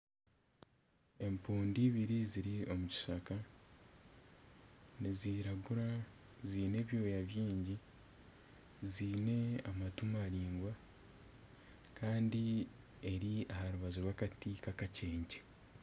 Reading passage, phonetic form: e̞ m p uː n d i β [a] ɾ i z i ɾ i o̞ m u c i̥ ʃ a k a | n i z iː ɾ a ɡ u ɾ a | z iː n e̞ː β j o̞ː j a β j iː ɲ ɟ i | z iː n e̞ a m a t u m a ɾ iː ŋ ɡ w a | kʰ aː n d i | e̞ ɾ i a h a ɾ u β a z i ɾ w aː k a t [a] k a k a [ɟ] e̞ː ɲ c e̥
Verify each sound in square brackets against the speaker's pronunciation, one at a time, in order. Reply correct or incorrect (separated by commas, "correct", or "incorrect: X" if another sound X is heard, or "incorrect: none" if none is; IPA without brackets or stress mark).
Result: incorrect: i, incorrect: i, incorrect: c